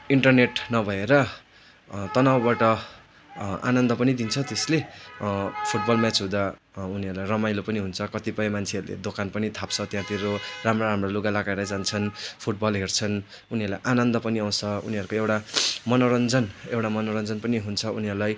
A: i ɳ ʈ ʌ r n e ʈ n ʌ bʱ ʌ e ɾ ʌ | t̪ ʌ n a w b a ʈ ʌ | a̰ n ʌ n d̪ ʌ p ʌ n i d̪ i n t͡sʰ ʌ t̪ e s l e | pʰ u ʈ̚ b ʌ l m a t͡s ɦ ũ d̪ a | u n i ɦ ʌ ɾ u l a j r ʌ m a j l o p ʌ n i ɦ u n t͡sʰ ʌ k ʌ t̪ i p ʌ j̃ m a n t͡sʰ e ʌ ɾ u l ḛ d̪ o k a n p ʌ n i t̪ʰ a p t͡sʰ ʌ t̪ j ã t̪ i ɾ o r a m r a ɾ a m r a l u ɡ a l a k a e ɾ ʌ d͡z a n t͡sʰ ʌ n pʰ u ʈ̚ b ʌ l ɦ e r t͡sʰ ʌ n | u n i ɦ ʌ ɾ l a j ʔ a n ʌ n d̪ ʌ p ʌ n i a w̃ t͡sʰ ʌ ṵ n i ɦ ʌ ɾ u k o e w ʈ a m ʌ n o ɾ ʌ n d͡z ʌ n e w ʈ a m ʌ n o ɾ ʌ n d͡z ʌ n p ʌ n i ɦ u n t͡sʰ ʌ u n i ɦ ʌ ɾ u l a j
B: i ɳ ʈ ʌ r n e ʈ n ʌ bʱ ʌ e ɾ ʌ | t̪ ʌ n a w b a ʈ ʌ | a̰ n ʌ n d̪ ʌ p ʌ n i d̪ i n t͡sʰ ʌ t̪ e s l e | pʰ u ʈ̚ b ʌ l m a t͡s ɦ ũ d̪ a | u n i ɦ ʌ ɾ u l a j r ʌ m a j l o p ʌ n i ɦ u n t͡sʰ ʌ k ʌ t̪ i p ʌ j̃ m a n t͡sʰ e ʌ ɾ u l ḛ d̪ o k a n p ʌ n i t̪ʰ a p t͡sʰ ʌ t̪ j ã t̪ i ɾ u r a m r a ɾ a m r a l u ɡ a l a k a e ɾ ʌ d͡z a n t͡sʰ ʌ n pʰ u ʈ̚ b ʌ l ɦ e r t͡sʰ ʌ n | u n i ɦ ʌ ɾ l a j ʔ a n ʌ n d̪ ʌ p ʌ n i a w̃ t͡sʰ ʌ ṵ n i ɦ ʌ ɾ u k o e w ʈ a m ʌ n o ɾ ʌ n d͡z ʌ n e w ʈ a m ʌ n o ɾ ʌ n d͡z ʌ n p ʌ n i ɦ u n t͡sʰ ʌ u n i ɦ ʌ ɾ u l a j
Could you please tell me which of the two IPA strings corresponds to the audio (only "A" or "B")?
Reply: A